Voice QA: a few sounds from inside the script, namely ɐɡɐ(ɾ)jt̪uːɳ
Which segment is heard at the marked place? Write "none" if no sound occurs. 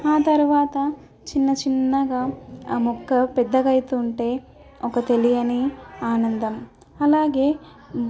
none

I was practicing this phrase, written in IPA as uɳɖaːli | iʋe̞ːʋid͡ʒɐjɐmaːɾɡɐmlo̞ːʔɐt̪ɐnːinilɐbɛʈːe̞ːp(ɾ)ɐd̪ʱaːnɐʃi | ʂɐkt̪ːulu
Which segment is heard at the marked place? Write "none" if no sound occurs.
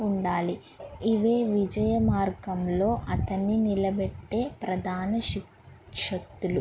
ɾ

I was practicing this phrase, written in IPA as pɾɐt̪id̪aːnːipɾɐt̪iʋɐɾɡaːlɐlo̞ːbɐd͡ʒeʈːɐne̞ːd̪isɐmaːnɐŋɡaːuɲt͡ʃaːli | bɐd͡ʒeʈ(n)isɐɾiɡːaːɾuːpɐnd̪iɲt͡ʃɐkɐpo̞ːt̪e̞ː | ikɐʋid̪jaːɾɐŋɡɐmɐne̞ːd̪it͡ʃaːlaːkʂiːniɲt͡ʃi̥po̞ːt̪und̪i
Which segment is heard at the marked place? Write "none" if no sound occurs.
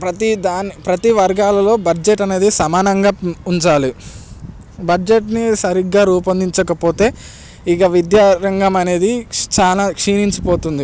n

